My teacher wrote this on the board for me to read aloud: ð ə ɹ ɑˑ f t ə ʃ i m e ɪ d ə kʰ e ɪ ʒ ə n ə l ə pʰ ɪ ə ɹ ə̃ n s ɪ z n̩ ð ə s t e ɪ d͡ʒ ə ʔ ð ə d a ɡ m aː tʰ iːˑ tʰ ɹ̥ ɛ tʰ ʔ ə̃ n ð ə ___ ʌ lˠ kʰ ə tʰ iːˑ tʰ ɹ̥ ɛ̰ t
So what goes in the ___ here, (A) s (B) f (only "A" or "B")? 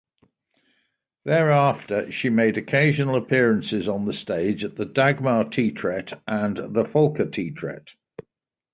B